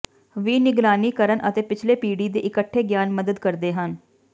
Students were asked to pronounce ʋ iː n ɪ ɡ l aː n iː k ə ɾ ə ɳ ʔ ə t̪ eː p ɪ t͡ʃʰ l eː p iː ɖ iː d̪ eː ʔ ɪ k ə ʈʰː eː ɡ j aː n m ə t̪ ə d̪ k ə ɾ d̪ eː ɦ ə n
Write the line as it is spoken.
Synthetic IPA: ʋ iː n ɪ ɡ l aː n iː k ə ɾ ə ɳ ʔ ə t̪ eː p ɪ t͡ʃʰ l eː p iː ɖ iː d̪ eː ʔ ɪ k ə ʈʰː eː ɡ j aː n m ə d̪ ə d̪ k ə ɾ d̪ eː ɦ ə n